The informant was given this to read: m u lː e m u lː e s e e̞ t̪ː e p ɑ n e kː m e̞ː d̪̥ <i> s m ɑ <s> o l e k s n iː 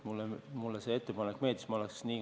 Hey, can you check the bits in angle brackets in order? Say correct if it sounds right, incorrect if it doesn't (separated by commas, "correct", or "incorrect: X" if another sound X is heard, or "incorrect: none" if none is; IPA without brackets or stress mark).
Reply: correct, incorrect: none